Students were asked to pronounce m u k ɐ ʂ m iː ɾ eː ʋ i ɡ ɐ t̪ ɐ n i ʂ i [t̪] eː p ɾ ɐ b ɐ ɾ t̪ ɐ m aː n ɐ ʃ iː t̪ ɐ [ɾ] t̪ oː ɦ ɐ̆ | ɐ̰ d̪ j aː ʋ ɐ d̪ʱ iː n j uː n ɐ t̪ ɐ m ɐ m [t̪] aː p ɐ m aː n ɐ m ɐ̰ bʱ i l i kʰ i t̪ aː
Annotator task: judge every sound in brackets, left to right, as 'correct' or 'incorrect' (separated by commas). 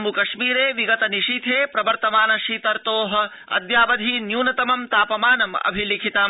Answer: incorrect, correct, correct